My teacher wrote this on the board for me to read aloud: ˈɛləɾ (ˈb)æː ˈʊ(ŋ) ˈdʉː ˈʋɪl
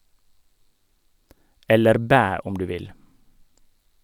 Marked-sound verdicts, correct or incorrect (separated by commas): correct, incorrect